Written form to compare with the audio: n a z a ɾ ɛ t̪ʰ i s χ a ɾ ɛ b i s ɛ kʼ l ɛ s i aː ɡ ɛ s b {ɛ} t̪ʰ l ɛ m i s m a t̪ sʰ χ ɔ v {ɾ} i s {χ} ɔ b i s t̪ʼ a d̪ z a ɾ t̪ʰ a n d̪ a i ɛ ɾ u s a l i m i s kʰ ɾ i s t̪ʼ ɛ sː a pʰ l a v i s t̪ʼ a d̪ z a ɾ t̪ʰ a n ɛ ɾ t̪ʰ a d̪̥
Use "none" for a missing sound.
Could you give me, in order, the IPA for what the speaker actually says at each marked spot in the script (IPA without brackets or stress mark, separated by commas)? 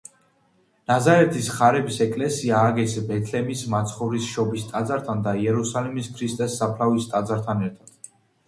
ɛ, ɾ, ʃ